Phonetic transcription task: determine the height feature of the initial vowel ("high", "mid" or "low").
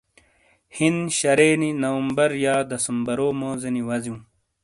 high